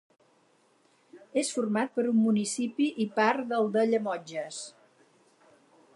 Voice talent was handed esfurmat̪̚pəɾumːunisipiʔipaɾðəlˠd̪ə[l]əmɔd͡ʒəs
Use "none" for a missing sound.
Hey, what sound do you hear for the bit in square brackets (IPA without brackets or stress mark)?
ʎ